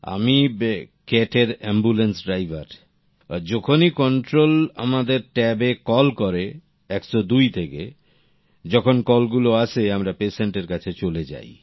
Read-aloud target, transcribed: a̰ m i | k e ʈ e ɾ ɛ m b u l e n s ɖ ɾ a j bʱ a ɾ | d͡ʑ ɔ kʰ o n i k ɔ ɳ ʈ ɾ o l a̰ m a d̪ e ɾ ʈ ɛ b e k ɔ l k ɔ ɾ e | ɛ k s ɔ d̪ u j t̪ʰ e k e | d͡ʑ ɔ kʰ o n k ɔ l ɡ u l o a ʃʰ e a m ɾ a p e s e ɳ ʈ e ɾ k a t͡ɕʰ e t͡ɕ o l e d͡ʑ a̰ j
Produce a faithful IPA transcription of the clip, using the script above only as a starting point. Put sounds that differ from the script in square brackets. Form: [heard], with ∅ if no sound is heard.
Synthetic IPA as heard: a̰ m i | k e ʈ e ɾ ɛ m b u l e n s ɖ ɾ a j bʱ a ɾ | d͡ʑ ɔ kʰ o n i k ɔ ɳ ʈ ɾ o l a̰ m a d̪ e ɾ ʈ ɛ b e k ɔ l k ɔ ɾ e | ɛ k s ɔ d̪ u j t̪ʰ e k e | d͡ʑ ɔ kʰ o n k ɔ l ɡ u l o a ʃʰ e a m ɾ a p e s e ɳ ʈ e ɾ k a t͡ɕʰ e t͡ɕ o l e d͡ʑ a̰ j